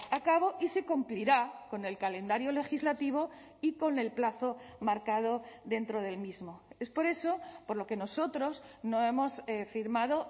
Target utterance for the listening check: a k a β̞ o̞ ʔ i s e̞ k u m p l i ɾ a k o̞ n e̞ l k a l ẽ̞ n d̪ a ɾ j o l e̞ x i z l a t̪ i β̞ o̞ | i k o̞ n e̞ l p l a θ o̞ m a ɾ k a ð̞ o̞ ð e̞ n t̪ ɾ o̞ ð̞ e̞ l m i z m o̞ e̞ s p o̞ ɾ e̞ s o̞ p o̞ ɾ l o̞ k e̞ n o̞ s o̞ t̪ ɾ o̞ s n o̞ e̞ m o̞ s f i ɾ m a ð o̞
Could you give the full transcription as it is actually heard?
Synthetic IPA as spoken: a k a β̞ o̞ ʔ i s e̞ k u m p l i ɾ a k o̞ n e̞ l k a l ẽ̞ n d̪ a ɾ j o l e̞ x i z l a t̪ i β̞ o̞ | i k o̞ n e̞ l p l a θ o̞ m a ɾ k a ð̞ o̞ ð e̞ n t̪ ɾ o̞ ð̞ e̞ l m i z m o̞ e̞ s p o̞ ɾ e̞ s o̞ p o̞ ɾ l o̞ k e̞ n o̞ s o̞ t̪ ɾ o̞ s n o̞ e̞ m o̞ s f i ɾ m a ð o̞